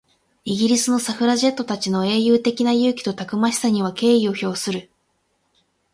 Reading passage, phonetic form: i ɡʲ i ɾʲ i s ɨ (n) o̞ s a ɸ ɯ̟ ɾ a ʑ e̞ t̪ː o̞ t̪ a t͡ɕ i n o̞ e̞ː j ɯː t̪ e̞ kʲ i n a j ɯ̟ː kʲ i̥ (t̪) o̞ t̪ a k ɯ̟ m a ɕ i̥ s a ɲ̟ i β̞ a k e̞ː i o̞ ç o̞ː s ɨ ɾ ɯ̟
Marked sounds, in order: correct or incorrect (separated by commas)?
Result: correct, correct